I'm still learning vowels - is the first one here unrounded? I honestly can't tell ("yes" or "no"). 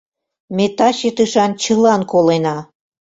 yes